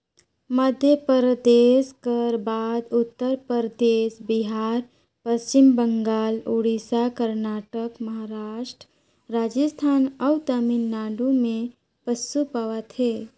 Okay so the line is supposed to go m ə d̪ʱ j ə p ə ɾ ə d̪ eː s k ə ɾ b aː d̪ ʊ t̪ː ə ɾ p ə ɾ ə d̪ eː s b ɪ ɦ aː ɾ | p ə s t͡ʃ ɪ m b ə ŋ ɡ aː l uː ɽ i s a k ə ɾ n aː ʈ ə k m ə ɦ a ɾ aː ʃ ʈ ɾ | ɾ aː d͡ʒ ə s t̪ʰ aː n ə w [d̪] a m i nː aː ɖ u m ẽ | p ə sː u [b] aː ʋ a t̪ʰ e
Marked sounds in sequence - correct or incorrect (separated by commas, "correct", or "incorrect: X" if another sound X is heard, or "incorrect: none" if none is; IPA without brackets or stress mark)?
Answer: incorrect: t̪, incorrect: p